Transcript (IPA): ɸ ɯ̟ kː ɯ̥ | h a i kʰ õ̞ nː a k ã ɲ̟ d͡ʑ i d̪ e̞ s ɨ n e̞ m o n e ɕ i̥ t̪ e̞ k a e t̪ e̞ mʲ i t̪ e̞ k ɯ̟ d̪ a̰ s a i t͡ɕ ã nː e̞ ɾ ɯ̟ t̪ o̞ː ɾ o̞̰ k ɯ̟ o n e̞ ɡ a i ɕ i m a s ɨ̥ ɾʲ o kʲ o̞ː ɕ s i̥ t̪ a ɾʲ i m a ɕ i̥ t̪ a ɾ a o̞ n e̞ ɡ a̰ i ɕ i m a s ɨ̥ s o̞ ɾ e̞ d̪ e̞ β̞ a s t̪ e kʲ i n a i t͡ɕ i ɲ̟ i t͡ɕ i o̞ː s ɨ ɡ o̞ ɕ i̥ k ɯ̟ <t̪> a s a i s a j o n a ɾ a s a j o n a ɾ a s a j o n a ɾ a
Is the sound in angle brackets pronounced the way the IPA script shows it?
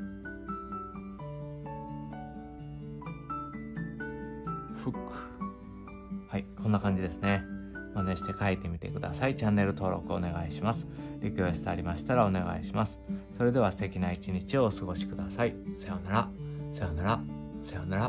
no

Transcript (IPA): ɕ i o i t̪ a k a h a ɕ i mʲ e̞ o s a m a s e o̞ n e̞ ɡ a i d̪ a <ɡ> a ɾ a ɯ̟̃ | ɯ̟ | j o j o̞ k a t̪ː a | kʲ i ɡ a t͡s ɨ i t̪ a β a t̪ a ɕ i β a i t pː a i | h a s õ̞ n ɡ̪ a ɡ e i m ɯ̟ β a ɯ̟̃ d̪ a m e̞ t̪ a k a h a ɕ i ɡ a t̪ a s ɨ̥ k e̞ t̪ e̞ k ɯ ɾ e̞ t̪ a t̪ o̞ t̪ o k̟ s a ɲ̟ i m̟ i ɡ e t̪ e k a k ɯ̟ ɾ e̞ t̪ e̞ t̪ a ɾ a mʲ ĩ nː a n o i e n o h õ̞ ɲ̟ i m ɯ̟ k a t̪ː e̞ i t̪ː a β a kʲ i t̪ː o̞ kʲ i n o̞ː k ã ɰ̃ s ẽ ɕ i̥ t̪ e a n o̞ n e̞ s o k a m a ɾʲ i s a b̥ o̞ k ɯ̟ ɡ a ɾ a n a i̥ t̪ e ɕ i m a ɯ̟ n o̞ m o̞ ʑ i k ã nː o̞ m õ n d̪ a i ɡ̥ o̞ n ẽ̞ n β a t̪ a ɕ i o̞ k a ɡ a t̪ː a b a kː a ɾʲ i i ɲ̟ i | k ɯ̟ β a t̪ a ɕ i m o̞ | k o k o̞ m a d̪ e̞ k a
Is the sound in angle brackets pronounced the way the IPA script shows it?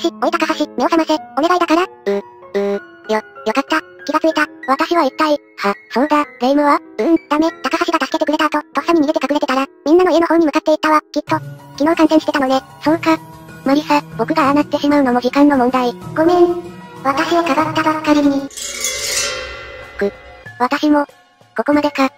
no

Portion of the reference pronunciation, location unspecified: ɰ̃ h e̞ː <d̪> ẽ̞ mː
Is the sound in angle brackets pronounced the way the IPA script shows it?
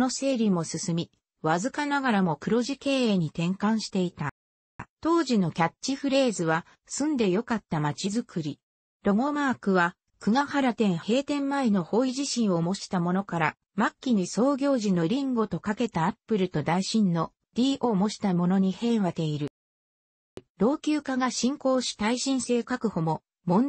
no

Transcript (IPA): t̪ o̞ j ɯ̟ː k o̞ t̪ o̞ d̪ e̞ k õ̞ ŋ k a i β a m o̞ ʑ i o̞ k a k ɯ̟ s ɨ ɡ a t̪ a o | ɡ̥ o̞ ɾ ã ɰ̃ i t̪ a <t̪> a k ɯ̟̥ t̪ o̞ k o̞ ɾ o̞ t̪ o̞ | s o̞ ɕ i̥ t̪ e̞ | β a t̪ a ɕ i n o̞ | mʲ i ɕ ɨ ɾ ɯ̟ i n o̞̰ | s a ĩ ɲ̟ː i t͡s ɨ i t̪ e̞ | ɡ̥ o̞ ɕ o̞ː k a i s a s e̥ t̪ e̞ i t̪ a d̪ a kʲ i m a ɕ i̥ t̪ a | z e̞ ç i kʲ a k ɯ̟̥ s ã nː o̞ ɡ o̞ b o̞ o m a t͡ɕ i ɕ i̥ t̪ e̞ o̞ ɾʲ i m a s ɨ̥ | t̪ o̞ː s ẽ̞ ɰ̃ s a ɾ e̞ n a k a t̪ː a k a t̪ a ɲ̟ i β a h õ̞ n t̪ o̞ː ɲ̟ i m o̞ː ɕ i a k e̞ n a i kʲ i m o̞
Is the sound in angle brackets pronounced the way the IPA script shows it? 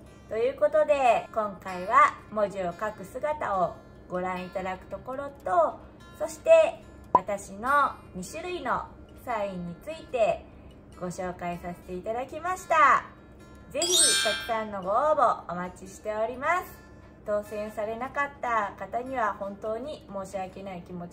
no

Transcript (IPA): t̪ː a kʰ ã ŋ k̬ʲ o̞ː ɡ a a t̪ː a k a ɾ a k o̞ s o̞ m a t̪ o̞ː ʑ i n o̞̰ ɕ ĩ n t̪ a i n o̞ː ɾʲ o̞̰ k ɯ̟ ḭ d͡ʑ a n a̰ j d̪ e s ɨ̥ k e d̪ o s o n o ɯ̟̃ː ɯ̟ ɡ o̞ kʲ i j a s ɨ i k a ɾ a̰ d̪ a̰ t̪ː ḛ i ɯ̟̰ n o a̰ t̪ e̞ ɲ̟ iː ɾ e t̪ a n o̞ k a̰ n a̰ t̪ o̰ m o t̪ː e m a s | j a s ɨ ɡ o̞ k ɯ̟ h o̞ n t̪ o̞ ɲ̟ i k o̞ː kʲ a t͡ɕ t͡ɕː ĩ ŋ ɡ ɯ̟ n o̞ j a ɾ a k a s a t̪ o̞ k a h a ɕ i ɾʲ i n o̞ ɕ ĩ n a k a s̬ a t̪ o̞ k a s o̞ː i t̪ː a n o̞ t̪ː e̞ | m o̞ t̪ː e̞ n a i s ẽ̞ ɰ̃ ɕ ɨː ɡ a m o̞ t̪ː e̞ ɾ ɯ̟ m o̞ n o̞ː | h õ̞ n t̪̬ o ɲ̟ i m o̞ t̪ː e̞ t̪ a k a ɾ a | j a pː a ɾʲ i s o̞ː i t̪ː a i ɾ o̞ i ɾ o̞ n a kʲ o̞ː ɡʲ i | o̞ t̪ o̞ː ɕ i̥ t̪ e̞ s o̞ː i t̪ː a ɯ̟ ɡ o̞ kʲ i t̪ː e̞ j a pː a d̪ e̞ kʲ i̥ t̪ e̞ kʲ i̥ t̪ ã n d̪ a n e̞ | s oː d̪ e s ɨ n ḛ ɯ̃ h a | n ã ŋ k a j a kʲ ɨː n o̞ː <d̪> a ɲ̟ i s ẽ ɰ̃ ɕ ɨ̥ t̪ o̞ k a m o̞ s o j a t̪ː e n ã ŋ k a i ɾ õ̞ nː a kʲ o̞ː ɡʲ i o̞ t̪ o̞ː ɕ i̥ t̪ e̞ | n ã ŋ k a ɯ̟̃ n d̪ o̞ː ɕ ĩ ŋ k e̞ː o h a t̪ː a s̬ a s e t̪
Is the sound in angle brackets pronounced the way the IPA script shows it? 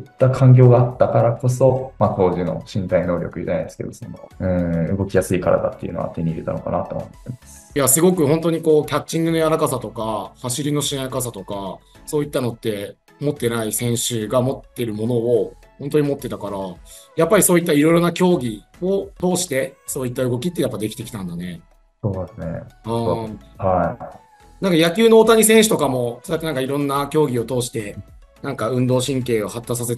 no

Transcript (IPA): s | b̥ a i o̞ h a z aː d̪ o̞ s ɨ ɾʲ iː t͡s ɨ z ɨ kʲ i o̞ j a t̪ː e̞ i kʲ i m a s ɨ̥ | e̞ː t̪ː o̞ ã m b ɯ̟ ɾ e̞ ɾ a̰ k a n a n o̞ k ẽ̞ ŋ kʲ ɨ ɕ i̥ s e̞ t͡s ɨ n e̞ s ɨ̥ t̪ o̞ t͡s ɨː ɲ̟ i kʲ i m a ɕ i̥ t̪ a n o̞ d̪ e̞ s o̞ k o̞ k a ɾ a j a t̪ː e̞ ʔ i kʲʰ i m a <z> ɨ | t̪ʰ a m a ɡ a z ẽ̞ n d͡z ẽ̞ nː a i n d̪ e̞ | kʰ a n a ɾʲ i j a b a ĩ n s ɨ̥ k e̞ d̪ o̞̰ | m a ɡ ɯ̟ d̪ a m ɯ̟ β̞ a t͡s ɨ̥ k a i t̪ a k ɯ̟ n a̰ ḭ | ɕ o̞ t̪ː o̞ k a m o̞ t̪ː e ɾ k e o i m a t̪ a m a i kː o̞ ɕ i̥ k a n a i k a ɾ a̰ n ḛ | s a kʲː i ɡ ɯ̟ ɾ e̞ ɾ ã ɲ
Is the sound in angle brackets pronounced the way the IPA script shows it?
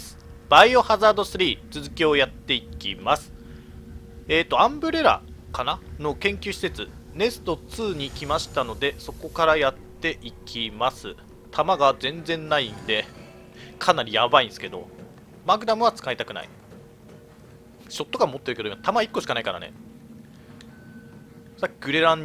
no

